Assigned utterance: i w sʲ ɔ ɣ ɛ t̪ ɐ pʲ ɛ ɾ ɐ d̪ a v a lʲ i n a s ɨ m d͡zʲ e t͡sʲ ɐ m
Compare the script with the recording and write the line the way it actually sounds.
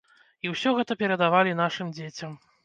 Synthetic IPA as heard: i w sʲ ɔ ɣ ɛ t̪ ɐ pʲ ɛ ɾ ɐ d̪ a v a lʲ i n a ʂ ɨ m d͡zʲ e t͡sʲ ɐ m